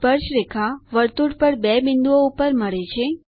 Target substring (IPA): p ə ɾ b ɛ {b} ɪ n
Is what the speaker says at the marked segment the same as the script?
yes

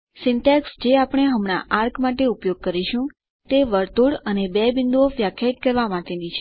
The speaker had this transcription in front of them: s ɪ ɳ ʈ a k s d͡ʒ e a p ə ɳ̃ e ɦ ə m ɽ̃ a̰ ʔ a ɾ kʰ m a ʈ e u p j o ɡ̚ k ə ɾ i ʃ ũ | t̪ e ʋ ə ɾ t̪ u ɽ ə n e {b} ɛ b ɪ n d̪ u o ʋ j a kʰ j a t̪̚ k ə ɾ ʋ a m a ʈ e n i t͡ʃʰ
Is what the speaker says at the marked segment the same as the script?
yes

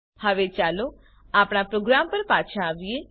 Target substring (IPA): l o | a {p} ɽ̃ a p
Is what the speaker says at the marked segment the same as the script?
yes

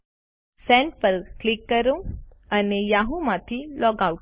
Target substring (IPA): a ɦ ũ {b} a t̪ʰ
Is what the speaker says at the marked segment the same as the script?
no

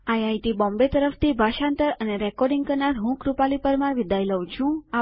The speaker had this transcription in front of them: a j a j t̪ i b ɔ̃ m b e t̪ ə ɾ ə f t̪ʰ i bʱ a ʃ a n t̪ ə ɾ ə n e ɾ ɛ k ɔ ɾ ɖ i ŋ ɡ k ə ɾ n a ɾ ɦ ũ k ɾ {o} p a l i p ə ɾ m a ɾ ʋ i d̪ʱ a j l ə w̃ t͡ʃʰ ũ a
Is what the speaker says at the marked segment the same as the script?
no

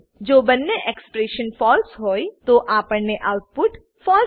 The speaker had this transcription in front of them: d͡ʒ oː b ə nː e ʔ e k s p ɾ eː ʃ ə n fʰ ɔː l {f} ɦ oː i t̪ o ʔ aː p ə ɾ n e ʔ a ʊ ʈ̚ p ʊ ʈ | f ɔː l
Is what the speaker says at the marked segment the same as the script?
no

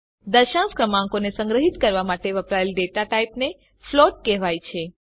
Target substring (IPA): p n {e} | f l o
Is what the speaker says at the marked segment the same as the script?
yes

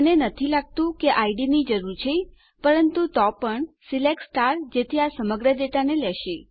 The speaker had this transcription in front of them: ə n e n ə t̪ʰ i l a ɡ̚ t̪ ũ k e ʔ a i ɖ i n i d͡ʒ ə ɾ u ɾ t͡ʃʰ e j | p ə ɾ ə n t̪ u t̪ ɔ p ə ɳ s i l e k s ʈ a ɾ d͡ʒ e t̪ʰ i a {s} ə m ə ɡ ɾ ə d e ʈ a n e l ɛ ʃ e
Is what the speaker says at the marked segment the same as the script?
yes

